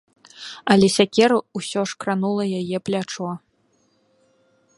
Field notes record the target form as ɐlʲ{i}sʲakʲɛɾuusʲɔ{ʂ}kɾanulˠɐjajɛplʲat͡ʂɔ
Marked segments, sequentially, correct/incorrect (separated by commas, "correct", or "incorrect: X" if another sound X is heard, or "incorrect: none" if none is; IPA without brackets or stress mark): incorrect: ɛ, correct